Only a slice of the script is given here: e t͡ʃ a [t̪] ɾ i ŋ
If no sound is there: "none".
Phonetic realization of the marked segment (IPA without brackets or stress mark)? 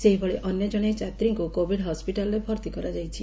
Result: t̪